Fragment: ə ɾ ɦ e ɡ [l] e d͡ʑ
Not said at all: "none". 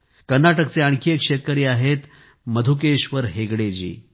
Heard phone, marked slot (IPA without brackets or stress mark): ɽ